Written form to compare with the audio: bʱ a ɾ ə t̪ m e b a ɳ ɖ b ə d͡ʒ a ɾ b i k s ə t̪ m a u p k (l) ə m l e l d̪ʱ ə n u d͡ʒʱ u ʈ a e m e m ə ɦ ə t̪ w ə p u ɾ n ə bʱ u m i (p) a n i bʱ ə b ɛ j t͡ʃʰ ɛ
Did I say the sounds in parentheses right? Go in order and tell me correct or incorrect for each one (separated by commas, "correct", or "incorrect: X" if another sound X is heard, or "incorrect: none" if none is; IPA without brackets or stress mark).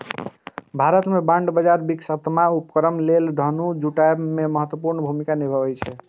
incorrect: ɾ, incorrect: k